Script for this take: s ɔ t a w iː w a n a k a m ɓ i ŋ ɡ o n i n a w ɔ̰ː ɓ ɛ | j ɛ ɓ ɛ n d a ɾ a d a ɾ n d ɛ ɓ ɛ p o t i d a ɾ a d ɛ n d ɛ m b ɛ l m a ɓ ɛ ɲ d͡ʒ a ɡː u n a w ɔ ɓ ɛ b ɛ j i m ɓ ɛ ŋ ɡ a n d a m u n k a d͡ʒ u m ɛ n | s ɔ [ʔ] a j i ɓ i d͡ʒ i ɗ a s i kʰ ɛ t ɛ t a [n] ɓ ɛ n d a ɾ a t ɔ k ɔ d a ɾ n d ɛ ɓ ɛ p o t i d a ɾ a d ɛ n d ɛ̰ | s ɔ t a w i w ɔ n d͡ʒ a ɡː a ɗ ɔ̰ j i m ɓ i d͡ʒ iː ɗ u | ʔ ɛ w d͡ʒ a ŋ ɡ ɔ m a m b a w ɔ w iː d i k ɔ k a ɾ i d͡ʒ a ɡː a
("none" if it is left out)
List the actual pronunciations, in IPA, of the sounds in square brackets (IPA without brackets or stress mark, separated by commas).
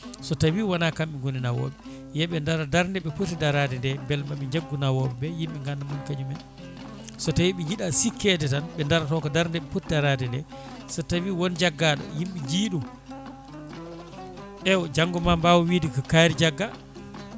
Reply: t, n